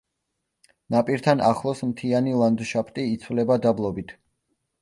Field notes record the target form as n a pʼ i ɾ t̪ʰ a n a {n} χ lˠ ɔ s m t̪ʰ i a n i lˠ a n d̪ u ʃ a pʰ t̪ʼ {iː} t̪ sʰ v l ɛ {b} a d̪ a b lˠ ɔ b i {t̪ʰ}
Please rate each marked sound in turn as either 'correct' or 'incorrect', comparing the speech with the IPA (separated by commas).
incorrect, correct, correct, correct